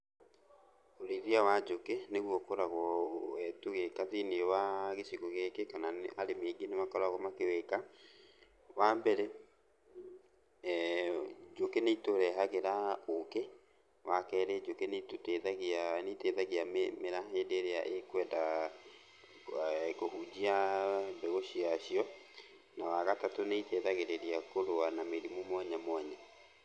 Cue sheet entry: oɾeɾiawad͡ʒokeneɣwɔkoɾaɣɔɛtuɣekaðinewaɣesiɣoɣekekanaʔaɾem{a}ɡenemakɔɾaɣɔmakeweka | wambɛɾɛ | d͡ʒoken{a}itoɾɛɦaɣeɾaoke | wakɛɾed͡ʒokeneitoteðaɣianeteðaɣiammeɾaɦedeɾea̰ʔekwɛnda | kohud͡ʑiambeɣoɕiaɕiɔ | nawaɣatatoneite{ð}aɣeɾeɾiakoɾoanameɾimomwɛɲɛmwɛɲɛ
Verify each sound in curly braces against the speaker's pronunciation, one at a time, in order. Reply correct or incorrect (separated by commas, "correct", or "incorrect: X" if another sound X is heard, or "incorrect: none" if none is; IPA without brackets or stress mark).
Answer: incorrect: e, incorrect: e, correct